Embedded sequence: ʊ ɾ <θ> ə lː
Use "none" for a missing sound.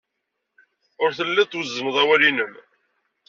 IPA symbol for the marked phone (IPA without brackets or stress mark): θ